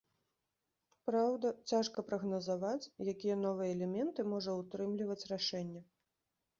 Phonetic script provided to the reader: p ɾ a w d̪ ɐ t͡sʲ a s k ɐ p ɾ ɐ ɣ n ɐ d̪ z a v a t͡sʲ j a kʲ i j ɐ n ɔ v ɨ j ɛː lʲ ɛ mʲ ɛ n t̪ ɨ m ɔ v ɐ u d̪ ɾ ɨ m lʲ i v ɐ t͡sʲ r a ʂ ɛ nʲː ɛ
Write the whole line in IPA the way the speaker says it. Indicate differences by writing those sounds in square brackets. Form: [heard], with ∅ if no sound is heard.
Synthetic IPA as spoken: p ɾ a w d̪ ɐ t͡sʲ a [ʂ] k ɐ p ɾ ɐ ɣ n ɐ [∅] z a v a t͡sʲ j a kʲ i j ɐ n ɔ v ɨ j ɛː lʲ ɛ mʲ ɛ n t̪ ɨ m ɔ [ʐ] ɐ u [t̪] ɾ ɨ m lʲ i v ɐ t͡sʲ r a ʂ ɛ nʲː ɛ